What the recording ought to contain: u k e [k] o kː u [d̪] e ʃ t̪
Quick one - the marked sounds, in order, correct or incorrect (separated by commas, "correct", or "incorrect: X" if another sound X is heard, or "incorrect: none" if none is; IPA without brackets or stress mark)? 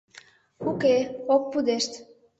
incorrect: none, correct